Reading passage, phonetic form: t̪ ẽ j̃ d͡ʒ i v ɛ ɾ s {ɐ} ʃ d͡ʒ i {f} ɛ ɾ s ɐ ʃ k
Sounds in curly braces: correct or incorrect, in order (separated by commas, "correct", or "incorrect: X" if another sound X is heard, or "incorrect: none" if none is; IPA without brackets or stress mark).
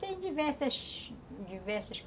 correct, incorrect: v